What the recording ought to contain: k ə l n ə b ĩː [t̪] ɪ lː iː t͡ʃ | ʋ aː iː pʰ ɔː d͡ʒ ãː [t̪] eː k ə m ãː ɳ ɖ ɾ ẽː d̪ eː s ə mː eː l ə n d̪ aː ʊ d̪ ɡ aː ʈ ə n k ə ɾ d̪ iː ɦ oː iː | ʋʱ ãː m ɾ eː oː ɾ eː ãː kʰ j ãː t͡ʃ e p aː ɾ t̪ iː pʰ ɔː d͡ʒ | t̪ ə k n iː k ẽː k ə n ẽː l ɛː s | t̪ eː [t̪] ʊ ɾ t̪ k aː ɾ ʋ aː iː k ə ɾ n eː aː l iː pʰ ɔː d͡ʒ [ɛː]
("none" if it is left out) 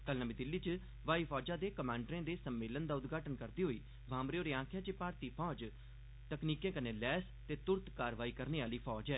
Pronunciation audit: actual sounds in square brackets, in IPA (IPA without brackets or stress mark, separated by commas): d̪, d̪, t̪, ɛː